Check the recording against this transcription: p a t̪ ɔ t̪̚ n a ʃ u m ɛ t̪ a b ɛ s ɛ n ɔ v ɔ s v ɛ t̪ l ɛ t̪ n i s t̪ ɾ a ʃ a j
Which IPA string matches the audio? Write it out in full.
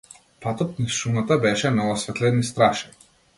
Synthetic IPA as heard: p a t̪ ɔ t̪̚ n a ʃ u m a t̪ a b ɛ ʃ ɛ n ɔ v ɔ s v ɛ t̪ l ɛ n i s t̪ ɾ a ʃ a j

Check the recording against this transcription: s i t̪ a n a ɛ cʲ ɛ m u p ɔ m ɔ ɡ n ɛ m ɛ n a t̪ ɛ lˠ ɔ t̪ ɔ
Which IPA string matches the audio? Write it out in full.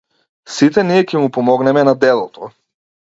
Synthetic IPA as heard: s i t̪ ɛ n i ɛ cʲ ɛ m u p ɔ m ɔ ɡ n ɛ m ɛ n a d̪ ɛ lˠ ɔ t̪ ɔ

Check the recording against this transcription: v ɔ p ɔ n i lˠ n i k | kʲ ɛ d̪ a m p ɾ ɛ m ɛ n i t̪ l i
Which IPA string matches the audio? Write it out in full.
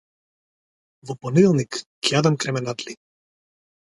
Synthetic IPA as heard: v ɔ p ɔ n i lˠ n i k | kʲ a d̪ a m k ɾ ɛ m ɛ n a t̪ l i

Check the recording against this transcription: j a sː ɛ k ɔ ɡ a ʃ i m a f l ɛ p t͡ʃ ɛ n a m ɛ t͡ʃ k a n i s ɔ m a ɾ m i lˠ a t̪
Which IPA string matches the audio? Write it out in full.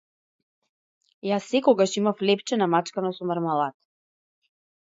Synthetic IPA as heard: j a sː ɛ k ɔ ɡ a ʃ i m a f l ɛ p t͡ʃ ɛ n a m a t͡ʃ k a n a s ɔ m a ɾ m a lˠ a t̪

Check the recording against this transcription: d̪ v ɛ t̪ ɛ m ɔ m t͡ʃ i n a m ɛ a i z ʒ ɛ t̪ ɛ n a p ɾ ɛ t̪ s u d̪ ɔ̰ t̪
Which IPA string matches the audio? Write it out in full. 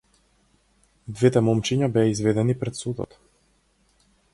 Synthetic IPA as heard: d̪ v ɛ t̪ ɛ m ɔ m t͡ʃ i ɲ a b ɛ a i z v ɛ d̪ ɛ n i p ɾ ɛ t̪ s u d̪ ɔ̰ t̪

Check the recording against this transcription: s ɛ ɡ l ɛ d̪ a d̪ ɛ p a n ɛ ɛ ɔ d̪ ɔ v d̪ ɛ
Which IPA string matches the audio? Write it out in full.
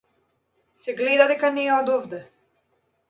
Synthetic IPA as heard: s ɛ ɡ l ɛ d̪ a d̪ ɛ k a n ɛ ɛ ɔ d̪ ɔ v d̪ ɛ

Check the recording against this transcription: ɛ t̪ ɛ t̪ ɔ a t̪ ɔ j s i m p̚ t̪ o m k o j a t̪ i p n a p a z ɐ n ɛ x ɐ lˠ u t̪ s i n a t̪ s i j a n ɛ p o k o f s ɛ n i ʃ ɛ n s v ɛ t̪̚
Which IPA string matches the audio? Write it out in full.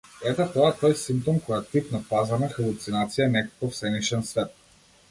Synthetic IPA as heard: ɛ t̪ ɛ t̪ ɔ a t̪ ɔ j s i m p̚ t̪ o m k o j a t̪ i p n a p a z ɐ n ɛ x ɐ lˠ u t̪ s i n a t̪ s i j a n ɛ k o k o f s ɛ n i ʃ ɛ n s v ɛ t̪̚

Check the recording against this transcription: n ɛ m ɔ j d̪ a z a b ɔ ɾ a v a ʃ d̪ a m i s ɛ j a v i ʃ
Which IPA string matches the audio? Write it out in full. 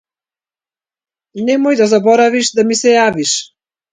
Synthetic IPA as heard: n ɛ m ɔ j d̪ a z a b ɔ ɾ a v i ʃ d̪ a m i s ɛ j a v i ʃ

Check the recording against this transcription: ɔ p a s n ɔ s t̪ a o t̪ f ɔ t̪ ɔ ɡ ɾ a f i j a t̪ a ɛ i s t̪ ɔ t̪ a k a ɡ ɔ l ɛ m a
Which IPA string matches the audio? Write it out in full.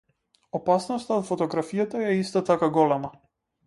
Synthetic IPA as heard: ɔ p a s n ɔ s t̪ a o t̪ f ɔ t̪ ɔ ɡ ɾ a f i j a t̪ a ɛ i s t̪ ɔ t̪ a k a ɡ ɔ l ɛ m a

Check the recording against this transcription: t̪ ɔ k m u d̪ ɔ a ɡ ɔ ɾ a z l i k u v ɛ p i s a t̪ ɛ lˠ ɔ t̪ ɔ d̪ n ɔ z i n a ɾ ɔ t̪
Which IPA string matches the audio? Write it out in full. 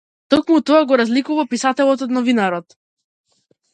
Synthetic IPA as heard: t̪ ɔ k m u t̪ ɔ a ɡ ɔ ɾ a z l i k u v a p i s a t̪ ɛ lˠ ɔ t̪ ɔ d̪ n ɔ v i n a ɾ ɔ t̪

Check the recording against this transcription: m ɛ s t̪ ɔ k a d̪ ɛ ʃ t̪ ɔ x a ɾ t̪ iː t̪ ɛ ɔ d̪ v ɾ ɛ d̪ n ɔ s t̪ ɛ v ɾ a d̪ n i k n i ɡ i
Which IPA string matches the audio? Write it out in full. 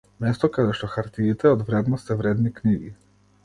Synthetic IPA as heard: m ɛ s t̪ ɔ k a d̪ ɛ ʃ t̪ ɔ x a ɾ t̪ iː t̪ ɛ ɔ d̪ v ɾ ɛ d̪ n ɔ s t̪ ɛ v ɾ ɛ d̪ n i k n i ɡ i

